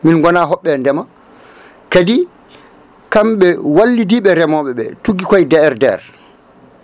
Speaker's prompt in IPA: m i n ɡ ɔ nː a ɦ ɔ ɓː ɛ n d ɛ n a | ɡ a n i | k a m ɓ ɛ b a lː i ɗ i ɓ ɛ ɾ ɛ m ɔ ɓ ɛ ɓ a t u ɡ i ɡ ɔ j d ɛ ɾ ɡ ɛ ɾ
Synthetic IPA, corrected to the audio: m i n ɡ ɔ n a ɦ ɔ ɓː ɛ n d ɛ m a | k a d i | k a m ɓ ɛ w a lː i d i ɓ ɛ ɾ ɛ m ɔ ɓ ɛ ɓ ɛ t u ɡ i k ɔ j d ɛ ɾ d ɛ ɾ